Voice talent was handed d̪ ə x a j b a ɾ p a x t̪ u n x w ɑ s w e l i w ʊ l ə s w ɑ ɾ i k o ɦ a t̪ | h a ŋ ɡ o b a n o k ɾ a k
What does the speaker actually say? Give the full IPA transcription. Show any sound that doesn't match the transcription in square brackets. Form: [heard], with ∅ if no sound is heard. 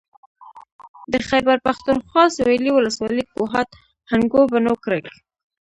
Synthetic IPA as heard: d̪ ə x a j b a ɾ p a x t̪ u n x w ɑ s w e l i w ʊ l ə s w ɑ [l] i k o ɦ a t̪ | h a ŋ ɡ o b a n o k ɾ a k